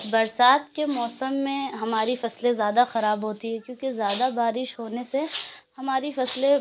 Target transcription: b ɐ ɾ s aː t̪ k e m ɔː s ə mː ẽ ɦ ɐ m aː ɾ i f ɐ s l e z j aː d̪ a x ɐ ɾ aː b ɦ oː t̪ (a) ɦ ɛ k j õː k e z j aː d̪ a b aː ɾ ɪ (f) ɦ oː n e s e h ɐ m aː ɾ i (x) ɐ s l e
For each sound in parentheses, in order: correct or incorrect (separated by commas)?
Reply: incorrect, incorrect, incorrect